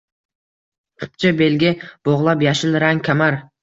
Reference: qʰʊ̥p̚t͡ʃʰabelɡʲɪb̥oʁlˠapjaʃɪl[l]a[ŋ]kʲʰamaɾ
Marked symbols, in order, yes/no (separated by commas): no, yes